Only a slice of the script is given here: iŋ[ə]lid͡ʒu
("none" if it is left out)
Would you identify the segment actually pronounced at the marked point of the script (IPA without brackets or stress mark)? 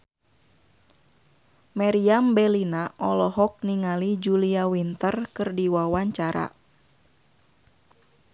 a